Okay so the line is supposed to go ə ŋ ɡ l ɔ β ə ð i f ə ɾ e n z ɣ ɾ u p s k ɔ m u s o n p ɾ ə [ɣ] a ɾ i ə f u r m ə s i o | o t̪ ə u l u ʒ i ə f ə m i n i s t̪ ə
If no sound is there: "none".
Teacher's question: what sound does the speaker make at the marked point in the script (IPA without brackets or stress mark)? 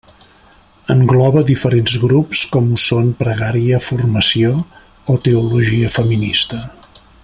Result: ɣ